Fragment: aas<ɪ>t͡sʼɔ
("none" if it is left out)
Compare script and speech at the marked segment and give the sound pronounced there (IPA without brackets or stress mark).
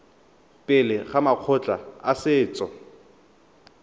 ɪː